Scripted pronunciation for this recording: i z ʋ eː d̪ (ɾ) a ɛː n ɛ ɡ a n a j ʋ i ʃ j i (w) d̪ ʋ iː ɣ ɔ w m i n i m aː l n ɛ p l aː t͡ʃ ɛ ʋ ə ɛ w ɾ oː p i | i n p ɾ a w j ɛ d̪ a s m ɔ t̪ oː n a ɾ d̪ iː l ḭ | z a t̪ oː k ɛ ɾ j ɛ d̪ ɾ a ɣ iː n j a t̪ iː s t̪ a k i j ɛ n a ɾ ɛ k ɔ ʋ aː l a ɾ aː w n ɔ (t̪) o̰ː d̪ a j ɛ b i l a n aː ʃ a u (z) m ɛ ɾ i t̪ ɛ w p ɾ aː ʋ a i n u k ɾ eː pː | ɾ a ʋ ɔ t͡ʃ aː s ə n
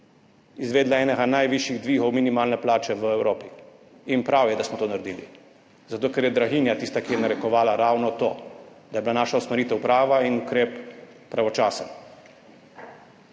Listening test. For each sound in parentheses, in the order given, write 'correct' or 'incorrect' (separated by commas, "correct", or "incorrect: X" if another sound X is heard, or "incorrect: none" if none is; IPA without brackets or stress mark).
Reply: incorrect: l, incorrect: ɣ, correct, incorrect: s